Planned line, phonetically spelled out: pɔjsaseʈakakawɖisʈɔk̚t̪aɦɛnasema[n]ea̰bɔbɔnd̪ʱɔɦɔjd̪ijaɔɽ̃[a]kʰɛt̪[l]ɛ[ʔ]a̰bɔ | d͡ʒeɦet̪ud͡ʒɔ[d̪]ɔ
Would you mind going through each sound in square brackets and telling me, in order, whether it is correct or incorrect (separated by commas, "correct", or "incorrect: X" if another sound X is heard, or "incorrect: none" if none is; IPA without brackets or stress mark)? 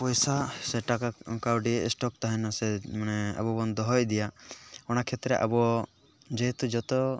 correct, correct, incorrect: ɾ, correct, incorrect: t̪